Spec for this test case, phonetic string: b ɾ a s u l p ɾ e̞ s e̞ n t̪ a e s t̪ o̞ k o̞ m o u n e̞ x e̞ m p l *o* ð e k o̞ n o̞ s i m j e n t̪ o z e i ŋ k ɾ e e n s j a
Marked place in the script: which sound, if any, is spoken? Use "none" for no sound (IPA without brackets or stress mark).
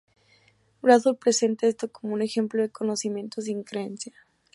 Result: o